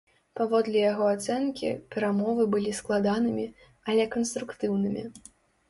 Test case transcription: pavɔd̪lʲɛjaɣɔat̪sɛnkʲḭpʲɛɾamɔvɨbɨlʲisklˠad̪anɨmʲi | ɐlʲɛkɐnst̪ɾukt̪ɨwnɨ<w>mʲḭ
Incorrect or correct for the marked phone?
incorrect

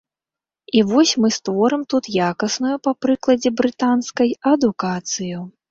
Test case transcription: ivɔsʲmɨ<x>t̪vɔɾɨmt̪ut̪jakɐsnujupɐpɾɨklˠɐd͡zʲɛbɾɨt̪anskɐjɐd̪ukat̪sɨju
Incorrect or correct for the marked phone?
incorrect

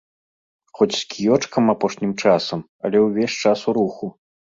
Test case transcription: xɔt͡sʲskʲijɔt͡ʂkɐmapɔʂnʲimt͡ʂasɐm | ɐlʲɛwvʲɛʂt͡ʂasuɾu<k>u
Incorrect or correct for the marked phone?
incorrect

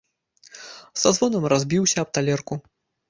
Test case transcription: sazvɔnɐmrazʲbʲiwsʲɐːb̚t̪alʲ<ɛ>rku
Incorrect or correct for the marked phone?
correct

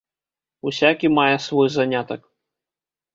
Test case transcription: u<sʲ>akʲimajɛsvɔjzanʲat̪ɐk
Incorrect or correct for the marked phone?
correct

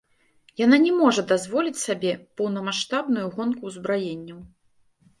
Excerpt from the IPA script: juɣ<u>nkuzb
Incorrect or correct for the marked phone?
incorrect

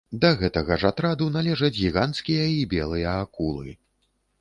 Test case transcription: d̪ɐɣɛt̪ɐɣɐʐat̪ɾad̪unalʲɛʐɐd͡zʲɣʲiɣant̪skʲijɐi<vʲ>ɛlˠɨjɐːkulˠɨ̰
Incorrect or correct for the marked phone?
incorrect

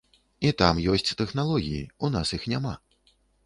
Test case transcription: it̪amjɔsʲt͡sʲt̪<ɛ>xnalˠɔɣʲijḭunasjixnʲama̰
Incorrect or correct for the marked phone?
correct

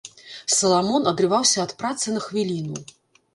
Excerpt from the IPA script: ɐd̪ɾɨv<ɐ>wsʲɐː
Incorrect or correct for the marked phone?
incorrect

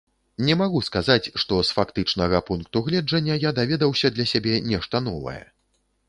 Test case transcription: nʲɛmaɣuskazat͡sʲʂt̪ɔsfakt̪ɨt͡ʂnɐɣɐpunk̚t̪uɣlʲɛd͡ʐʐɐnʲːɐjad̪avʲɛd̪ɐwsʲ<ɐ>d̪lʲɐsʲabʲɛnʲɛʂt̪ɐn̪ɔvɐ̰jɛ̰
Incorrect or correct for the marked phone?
correct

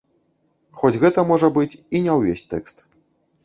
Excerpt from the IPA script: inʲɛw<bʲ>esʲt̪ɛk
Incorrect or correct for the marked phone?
incorrect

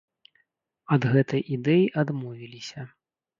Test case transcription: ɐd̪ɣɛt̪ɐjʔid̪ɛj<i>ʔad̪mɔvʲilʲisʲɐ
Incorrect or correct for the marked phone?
correct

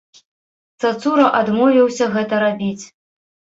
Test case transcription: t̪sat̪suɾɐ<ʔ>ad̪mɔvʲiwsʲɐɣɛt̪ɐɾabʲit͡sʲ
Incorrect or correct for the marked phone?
correct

